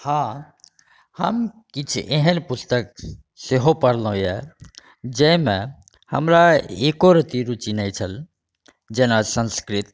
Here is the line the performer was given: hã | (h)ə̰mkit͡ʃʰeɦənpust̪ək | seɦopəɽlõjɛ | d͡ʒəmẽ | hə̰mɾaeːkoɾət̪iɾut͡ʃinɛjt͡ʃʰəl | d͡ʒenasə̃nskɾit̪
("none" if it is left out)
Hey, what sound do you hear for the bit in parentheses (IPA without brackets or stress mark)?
h